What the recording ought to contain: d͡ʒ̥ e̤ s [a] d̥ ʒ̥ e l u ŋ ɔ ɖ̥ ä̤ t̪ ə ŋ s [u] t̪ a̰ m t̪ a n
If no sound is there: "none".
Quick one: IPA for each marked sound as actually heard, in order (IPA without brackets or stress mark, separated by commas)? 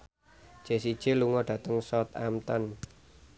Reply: i, ɔ